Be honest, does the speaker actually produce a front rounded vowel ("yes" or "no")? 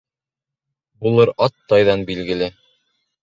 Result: no